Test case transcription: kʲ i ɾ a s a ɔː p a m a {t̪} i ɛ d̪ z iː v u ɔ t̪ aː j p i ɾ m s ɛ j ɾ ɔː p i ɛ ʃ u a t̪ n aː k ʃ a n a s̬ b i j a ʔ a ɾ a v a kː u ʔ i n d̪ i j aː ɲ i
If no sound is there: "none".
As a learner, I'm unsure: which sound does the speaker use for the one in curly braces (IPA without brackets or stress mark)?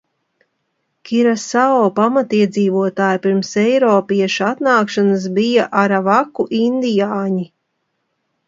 t̪